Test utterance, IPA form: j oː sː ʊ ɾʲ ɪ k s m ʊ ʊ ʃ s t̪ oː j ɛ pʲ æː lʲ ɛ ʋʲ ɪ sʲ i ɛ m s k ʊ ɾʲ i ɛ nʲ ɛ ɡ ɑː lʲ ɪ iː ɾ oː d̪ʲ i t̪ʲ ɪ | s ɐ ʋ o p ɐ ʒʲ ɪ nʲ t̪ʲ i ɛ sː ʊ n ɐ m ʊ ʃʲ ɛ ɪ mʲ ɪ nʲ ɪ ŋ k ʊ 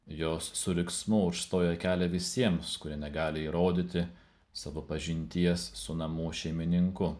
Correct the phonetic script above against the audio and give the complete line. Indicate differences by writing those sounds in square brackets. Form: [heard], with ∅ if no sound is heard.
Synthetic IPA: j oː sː ʊ ɾʲ ɪ k s m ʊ ʊ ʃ s t̪ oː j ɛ [kʲ] æː lʲ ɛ ʋʲ ɪ sʲ i ɛ m s k ʊ ɾʲ i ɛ nʲ ɛ ɡ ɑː lʲ ɪ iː ɾ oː d̪ʲ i t̪ʲ ɪ | s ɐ ʋ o p ɐ ʒʲ ɪ nʲ t̪ʲ i ɛ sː ʊ n ɐ m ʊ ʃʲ ɛ ɪ mʲ ɪ nʲ ɪ ŋ k ʊ

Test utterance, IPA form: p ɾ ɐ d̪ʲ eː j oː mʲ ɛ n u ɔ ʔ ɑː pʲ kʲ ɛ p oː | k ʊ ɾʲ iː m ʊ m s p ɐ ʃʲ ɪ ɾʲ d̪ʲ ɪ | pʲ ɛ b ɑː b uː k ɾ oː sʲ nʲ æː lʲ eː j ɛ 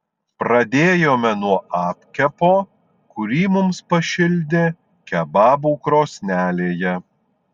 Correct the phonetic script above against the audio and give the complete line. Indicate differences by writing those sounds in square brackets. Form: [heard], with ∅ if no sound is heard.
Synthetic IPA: p ɾ ɐ d̪ʲ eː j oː mʲ ɛ n u ɔ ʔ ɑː pʲ kʲ ɛ p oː | k ʊ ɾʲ iː m ʊ m s p ɐ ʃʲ ɪ [lʲ] d̪ʲ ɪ | [kʲ] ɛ b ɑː b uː k ɾ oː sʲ nʲ æː lʲ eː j ɛ

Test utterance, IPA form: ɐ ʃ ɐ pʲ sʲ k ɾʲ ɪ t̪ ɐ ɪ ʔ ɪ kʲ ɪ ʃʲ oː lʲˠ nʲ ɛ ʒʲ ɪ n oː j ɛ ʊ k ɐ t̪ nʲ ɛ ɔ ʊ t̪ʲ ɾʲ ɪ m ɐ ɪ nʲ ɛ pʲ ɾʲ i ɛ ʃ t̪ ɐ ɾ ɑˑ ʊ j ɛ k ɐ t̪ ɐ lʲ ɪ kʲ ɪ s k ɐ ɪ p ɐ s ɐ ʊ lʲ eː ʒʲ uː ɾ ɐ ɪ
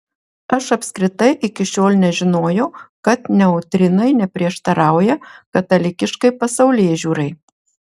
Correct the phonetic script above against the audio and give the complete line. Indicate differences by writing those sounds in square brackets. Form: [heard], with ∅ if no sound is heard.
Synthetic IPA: ɐ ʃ ɐ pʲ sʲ k ɾʲ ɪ t̪ ɐ ɪ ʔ ɪ kʲ ɪ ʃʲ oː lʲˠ nʲ ɛ ʒʲ ɪ n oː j ɛ ʊ k ɐ t̪ nʲ ɛ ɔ ʊ t̪ʲ ɾʲ ɪ [n] ɐ ɪ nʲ ɛ pʲ ɾʲ i ɛ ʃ t̪ ɐ ɾ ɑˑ ʊ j ɛ k ɐ t̪ ɐ lʲ ɪ kʲ ɪ [ʃ] k ɐ ɪ p ɐ s ɐ ʊ lʲ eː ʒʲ uː ɾ ɐ ɪ

